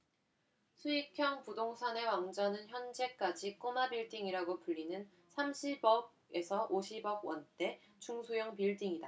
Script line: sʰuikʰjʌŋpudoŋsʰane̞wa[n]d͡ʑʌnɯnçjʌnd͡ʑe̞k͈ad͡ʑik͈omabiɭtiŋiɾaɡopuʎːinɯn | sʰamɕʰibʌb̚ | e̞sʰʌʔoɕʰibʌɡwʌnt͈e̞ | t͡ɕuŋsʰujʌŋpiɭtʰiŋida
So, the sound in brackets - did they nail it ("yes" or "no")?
no